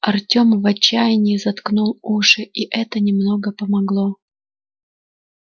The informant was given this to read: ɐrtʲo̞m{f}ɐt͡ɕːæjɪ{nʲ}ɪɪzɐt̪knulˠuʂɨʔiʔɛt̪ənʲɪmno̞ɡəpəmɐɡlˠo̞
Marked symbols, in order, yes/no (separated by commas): no, yes